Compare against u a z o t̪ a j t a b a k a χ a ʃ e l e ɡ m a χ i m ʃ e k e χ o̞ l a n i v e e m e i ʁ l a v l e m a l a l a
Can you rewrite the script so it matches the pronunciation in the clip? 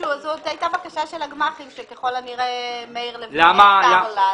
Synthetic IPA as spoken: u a z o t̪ a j t a b a k a ʃ a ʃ e l a ɡ m a χ i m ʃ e k e χ o̞ l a n i ʁ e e m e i ʁ l e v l a m a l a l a